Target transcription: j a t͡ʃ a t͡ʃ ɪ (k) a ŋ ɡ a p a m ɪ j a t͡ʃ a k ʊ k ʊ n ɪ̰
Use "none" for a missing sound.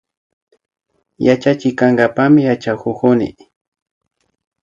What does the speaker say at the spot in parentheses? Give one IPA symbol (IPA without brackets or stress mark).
k